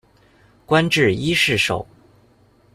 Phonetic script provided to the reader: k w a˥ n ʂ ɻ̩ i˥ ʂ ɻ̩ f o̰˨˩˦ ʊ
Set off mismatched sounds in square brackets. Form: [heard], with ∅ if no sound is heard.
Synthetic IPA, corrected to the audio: k w a˥ n [ʈ͡ʂ] ɻ̩ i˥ ʂ ɻ̩ [ʂ] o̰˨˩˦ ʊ